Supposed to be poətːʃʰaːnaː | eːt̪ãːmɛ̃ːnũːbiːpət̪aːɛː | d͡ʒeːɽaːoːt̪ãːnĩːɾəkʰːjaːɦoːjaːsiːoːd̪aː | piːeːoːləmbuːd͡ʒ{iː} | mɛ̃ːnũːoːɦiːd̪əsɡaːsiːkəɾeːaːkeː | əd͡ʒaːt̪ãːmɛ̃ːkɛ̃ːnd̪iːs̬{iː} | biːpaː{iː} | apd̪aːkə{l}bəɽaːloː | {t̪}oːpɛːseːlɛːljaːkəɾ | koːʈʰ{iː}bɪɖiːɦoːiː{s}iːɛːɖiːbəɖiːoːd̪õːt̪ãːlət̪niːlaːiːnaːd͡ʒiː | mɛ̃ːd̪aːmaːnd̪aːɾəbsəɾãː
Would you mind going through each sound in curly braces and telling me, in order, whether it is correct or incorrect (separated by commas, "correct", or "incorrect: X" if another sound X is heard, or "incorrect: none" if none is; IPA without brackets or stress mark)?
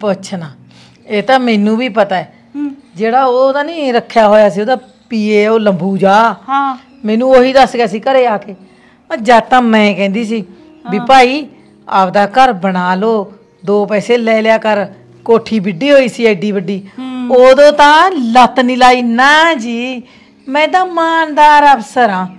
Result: incorrect: aː, correct, correct, incorrect: ɾ, incorrect: d̪, correct, correct